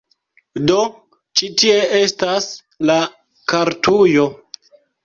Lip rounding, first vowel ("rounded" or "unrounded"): rounded